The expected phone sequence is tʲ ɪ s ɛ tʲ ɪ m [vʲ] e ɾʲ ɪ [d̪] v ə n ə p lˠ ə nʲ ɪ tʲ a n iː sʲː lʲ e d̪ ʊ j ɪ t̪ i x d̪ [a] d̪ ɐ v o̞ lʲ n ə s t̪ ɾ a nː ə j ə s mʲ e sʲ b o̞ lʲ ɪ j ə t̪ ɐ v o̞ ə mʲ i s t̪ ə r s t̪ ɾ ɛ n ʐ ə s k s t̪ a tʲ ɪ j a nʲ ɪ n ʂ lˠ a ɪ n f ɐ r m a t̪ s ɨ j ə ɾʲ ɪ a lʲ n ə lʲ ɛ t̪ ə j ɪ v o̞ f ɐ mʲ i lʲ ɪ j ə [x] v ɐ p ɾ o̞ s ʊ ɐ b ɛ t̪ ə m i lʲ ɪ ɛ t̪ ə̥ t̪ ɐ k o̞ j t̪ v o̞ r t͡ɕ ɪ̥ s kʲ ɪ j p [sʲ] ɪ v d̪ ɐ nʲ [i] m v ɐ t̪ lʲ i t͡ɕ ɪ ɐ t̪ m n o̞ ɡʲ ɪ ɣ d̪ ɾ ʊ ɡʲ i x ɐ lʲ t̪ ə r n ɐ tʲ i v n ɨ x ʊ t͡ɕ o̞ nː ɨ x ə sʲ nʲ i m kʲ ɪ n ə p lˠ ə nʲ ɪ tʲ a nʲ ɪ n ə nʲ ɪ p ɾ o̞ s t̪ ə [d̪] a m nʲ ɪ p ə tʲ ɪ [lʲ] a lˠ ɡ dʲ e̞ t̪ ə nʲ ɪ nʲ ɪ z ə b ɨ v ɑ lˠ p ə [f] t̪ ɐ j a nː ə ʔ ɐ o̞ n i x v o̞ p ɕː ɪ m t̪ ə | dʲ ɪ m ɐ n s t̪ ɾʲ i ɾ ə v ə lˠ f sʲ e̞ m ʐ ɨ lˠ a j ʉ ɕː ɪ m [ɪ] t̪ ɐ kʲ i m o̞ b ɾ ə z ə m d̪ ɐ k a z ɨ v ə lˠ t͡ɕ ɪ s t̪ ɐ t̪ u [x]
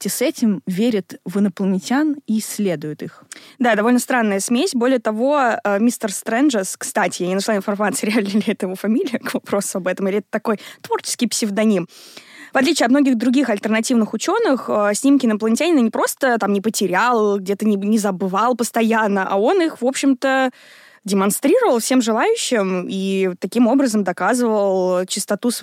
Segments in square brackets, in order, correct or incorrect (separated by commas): correct, incorrect, correct, incorrect, correct, correct, incorrect, incorrect, incorrect, incorrect, incorrect